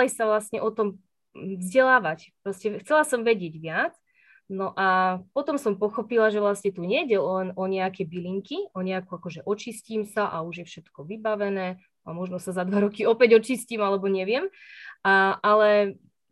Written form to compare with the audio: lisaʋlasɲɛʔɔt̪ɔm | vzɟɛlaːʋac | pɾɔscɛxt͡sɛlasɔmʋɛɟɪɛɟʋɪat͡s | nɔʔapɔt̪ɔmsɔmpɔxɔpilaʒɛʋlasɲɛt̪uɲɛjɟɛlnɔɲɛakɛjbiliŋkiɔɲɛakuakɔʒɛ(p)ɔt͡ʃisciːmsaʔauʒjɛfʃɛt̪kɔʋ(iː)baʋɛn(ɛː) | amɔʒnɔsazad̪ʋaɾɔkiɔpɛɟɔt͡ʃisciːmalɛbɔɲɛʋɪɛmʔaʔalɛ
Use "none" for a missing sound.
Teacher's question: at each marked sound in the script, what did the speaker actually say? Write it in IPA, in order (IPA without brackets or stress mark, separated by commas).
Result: ʔ, i, ɛː